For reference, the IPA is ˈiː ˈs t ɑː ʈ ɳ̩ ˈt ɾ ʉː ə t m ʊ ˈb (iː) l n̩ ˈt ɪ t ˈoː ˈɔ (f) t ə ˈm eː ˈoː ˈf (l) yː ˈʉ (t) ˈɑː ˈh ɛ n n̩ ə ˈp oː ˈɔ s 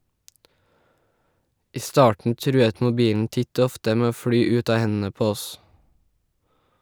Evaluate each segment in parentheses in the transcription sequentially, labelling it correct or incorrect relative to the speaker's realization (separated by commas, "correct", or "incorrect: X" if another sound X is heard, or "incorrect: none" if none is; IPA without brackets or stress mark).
correct, correct, incorrect: ɽ, correct